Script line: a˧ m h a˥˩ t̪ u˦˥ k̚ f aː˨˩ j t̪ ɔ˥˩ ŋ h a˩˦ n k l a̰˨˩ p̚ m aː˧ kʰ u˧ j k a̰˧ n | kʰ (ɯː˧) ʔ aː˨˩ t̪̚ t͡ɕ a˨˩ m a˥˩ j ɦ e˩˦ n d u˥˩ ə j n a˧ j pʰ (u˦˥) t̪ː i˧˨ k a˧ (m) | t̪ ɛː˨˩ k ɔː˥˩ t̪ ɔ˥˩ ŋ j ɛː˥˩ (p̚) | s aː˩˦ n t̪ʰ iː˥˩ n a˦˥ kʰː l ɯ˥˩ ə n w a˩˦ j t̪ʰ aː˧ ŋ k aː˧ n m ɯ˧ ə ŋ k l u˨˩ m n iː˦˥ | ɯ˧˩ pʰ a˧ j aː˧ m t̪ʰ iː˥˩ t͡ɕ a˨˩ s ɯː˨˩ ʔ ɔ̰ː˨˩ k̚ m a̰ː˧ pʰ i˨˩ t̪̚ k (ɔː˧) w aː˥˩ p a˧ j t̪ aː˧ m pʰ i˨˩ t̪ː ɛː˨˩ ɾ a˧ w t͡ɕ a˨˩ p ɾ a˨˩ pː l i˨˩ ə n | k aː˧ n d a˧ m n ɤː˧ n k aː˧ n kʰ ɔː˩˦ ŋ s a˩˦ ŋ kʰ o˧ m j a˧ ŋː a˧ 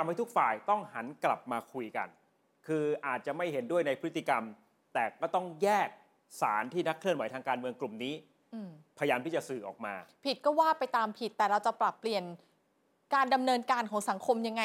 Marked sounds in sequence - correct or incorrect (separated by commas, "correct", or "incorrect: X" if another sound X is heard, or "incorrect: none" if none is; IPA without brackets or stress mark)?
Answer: correct, incorrect: ɯ˦˥, correct, incorrect: k̚, incorrect: ɔː˥˩